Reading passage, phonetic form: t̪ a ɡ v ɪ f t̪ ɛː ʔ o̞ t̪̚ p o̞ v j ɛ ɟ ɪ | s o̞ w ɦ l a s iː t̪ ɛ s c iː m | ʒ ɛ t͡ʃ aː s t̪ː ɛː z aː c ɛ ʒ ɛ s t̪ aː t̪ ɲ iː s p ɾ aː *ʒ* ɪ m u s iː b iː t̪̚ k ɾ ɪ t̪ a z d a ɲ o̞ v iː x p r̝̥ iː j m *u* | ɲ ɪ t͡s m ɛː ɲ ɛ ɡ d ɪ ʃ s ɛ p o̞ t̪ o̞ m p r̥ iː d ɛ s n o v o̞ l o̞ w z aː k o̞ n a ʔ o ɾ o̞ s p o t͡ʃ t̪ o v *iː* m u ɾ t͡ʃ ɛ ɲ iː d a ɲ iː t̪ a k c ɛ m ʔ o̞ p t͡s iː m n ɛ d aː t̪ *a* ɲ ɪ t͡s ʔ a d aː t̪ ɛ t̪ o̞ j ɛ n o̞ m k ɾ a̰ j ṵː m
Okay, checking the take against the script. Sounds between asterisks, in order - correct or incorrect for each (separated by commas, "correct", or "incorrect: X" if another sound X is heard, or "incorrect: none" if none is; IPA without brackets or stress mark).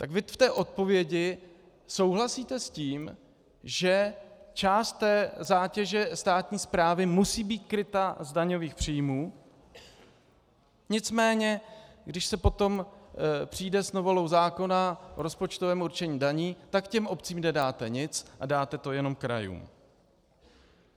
incorrect: v, incorrect: uː, incorrect: ɛː, incorrect: ɛ